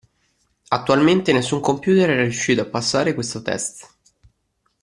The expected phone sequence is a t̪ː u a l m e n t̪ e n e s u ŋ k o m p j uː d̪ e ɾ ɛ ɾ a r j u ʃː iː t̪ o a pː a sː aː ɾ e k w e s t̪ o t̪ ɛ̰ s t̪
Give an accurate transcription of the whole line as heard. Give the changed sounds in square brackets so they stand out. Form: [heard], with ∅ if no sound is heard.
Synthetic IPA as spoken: a t̪ː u a l m e n t̪ e n e [sː] u ŋ k o m p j uː [t̪] e ɾ ɛ ɾ a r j u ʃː iː t̪ o a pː a sː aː ɾ e k w e s t̪ o t̪ ɛ̰ s t̪